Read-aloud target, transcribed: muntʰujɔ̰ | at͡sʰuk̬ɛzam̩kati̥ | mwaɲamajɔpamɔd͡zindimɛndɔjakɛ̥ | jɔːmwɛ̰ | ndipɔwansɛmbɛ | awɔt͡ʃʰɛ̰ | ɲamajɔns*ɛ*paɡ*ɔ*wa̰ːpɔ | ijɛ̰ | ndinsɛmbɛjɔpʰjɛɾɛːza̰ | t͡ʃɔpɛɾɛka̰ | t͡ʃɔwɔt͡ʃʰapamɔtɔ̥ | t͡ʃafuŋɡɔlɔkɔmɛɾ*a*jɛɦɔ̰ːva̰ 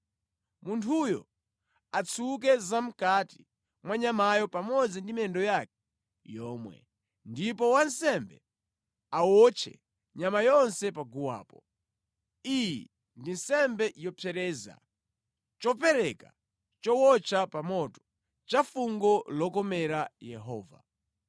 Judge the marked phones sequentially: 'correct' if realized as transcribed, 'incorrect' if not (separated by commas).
correct, incorrect, correct